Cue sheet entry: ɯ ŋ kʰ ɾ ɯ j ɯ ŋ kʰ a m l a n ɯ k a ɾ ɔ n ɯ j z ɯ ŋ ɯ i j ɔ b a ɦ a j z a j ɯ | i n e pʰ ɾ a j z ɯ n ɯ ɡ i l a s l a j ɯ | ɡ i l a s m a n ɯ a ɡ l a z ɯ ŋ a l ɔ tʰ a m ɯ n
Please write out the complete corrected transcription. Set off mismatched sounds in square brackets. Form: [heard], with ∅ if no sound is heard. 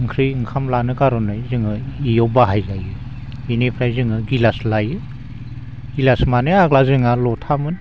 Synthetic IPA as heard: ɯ ŋ kʰ ɾ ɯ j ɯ ŋ kʰ a m l a n ɯ k a ɾ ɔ n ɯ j z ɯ ŋ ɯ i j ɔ b a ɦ a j z a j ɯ | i n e pʰ ɾ a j z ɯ [ŋ] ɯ ɡ i l a s l a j ɯ | ɡ i l a s m a n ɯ a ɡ l a z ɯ ŋ a l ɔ tʰ a m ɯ n